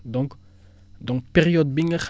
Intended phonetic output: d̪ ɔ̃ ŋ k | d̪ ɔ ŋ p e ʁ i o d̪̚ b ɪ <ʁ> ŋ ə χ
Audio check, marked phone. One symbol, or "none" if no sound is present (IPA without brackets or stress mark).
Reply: none